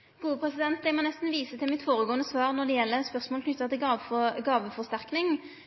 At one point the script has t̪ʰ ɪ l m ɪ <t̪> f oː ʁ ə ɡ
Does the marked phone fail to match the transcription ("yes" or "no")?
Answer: no